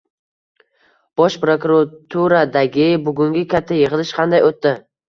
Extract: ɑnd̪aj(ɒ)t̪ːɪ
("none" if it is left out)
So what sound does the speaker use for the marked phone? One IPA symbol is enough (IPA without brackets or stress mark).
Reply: o